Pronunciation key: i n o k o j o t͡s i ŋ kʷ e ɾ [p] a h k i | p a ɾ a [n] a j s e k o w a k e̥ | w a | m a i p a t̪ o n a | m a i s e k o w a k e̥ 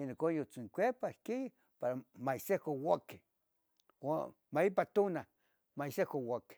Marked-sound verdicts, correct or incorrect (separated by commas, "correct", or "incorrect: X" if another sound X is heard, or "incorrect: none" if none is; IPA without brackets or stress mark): correct, incorrect: m